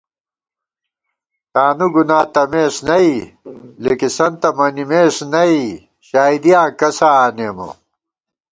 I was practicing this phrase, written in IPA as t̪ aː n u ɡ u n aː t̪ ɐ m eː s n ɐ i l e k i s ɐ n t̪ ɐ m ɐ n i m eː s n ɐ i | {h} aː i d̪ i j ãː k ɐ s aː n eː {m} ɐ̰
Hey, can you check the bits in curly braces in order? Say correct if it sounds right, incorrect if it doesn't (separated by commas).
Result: incorrect, correct